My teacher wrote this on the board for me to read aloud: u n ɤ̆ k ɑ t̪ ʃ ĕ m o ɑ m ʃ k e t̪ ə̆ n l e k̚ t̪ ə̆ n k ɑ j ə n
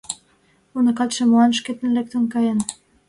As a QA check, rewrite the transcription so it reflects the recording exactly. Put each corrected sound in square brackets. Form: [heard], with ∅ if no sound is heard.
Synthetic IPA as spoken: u n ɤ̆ k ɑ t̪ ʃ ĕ m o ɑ [n] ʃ k e t̪ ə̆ n l e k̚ t̪ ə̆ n k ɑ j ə n